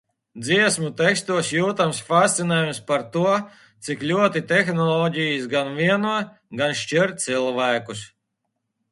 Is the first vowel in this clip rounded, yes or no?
no